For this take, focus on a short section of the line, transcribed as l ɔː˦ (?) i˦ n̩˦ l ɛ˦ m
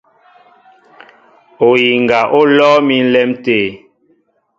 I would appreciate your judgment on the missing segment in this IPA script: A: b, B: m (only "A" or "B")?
B